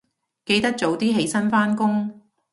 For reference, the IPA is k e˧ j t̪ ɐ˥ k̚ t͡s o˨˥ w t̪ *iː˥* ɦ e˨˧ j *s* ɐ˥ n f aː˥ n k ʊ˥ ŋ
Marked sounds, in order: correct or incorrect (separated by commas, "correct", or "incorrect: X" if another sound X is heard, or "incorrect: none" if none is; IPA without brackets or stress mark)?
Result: correct, correct